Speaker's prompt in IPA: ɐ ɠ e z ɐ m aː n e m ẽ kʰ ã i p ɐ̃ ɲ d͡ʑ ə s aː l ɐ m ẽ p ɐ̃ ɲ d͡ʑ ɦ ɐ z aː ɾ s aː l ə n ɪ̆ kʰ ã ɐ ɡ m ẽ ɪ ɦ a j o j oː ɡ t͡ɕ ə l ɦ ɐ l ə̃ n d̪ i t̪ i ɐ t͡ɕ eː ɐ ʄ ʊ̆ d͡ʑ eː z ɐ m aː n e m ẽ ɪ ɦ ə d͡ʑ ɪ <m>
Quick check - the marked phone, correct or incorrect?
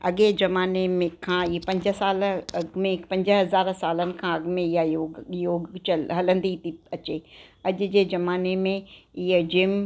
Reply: correct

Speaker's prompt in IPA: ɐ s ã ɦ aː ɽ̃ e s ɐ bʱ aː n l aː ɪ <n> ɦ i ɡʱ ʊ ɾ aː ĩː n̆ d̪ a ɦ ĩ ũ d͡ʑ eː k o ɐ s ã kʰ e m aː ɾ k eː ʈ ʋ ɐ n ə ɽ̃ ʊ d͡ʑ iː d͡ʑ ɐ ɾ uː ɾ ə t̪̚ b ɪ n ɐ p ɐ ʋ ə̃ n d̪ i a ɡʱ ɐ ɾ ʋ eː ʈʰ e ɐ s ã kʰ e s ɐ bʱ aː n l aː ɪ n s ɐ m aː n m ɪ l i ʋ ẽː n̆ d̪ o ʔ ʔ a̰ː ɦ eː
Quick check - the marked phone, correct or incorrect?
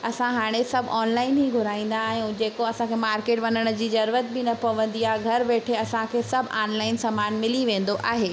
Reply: correct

